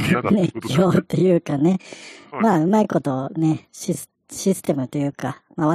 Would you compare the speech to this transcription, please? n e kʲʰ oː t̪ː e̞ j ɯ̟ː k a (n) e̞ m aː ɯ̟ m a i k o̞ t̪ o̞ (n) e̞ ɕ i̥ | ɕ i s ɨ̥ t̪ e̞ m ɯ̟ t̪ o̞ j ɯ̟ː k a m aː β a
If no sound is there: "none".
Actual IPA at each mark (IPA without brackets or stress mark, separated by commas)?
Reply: n, n